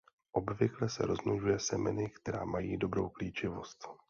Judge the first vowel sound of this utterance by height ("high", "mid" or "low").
mid